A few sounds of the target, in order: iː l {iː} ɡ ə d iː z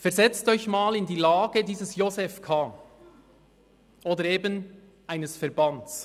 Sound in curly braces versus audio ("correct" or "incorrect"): incorrect